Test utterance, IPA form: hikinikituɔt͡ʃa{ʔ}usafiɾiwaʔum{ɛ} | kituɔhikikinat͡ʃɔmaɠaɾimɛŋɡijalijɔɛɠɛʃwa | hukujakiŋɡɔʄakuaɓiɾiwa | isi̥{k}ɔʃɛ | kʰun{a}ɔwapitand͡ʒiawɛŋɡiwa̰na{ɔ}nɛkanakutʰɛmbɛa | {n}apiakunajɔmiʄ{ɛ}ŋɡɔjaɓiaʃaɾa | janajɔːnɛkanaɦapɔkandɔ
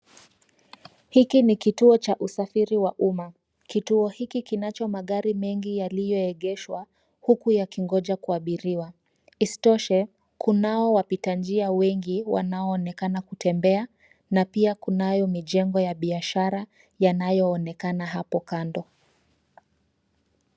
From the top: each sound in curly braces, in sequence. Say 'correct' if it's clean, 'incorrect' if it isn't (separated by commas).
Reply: correct, incorrect, incorrect, correct, incorrect, correct, correct